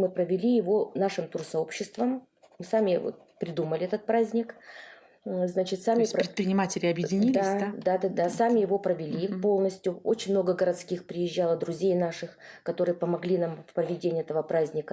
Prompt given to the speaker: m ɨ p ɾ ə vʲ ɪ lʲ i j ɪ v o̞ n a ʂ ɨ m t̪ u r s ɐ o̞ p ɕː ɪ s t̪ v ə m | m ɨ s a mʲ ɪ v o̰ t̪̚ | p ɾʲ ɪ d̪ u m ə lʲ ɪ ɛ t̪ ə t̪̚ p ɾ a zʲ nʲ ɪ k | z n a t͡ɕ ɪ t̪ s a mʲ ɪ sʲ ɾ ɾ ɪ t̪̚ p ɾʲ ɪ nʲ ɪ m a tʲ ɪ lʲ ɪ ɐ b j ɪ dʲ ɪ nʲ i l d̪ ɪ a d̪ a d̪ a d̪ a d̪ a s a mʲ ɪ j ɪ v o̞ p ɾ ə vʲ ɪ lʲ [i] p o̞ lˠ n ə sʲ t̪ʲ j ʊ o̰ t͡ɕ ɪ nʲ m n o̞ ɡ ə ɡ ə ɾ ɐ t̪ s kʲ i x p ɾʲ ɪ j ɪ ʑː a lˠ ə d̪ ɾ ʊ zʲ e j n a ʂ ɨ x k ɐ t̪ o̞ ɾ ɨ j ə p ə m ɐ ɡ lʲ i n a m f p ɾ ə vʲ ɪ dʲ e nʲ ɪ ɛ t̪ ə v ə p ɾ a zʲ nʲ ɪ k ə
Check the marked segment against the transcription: correct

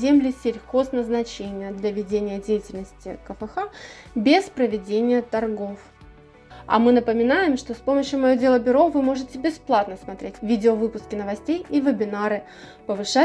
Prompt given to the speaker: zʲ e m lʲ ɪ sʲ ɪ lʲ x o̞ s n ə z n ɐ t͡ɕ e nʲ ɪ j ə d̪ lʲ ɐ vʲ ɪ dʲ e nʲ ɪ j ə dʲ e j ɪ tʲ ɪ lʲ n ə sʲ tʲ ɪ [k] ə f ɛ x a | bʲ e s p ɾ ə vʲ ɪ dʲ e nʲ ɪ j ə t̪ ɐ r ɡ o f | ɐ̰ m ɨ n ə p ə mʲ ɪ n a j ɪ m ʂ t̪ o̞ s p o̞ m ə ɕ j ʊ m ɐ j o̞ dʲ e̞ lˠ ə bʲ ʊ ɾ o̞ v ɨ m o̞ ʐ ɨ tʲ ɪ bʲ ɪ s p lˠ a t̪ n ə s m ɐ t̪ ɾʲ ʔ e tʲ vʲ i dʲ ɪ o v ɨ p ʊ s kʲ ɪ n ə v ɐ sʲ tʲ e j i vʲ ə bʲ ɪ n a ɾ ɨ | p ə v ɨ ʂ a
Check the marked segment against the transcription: correct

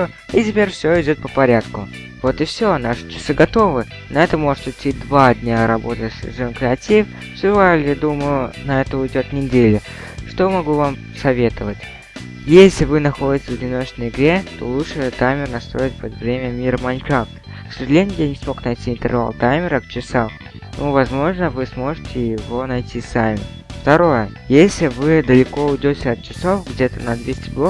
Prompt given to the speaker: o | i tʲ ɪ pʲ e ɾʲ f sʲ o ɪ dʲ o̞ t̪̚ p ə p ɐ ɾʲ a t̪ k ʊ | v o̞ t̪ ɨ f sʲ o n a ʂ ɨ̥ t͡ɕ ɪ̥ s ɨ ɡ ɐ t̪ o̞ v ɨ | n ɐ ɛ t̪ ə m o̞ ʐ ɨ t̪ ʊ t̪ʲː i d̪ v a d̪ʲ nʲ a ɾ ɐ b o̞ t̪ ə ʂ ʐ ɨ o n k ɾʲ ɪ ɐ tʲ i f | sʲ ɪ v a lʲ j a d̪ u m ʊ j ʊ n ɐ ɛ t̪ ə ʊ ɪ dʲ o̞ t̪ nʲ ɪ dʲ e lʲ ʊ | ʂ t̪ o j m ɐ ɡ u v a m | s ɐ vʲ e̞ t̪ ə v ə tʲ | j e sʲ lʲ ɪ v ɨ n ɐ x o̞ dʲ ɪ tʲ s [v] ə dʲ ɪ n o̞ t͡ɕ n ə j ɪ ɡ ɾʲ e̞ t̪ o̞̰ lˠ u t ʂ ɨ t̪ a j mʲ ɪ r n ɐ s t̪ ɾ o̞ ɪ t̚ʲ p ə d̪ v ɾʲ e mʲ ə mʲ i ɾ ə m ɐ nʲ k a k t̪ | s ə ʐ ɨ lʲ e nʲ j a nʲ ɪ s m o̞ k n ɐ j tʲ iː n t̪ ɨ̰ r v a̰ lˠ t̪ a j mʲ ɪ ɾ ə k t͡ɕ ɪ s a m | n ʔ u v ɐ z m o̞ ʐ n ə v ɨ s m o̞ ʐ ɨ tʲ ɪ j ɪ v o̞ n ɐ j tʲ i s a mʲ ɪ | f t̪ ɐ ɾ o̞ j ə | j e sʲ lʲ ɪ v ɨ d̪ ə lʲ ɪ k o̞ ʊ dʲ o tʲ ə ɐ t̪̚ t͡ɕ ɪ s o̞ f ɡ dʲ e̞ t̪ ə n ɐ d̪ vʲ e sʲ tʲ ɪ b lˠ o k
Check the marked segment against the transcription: correct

